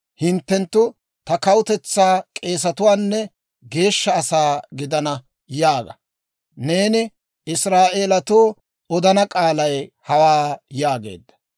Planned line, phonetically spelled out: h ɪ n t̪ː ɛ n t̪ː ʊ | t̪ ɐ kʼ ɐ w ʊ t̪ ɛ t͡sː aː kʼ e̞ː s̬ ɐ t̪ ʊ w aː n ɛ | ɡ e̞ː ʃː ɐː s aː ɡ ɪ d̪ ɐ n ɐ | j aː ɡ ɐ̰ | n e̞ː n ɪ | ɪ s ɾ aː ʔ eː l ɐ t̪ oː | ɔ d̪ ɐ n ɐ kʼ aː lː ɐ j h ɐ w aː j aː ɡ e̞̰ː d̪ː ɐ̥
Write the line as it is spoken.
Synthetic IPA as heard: h ɪ n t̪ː ɛ n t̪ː ʊ | t̪ ɐ k ɐ w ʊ t̪ ɛ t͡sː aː kʼ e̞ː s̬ ɐ t̪ ʊ w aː nː ɛ | ɡ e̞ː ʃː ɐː s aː ɡ ɪ d̪ ɐ n ɐ | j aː ɡ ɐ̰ | n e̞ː n ɪ | ɪ s ɾ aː ʔ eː l ɐ t̪ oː | ɔ d̪ ɐ n ɐ kʼ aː l ɐ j h ɐ w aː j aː ɡ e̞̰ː d̪ː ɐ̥